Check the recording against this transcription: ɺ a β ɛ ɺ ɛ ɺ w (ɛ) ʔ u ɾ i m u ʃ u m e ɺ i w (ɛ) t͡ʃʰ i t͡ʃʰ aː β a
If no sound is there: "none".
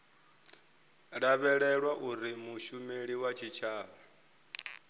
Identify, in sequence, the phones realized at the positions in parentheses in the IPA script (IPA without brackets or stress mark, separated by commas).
a, a